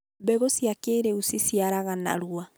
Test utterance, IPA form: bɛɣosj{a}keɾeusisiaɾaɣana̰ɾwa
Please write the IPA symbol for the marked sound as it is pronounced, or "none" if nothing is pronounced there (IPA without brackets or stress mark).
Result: a